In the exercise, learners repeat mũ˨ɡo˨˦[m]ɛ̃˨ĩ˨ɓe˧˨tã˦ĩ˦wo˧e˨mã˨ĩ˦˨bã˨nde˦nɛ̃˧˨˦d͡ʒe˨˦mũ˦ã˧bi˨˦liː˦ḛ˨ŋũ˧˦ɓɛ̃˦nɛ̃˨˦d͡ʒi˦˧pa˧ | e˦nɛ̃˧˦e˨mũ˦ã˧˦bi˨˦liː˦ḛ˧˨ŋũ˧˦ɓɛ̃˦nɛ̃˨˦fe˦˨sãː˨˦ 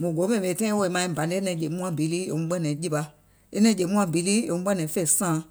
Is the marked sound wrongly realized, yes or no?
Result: no